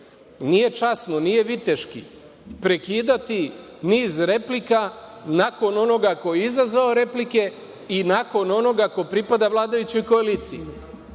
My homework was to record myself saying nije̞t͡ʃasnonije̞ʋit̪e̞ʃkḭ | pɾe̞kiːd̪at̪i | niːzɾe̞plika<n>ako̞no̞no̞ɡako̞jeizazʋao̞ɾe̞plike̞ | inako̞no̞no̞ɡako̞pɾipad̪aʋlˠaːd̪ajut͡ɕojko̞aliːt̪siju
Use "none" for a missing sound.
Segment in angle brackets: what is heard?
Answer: n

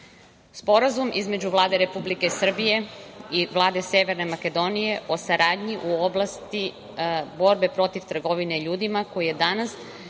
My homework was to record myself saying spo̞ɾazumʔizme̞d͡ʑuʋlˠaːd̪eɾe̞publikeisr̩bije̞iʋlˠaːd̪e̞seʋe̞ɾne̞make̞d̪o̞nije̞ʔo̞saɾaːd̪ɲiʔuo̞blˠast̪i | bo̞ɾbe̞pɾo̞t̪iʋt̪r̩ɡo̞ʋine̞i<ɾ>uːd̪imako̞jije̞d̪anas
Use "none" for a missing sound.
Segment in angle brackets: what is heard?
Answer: ʎ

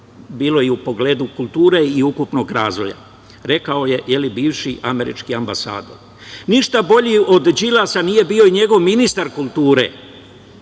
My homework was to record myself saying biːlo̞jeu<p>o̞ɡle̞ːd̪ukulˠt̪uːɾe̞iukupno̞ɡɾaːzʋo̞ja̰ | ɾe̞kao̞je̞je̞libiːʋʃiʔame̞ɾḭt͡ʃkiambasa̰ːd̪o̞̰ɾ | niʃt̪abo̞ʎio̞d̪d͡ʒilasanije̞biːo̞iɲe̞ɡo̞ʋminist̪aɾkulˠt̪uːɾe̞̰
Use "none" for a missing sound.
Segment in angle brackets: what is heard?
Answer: p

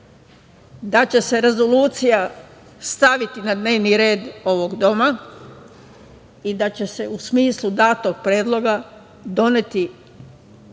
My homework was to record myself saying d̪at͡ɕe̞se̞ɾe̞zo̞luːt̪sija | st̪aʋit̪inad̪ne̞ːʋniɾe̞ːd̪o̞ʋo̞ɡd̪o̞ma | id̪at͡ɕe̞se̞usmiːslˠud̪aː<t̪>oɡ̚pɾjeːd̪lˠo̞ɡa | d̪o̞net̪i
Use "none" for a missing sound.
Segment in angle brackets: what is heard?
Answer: t̪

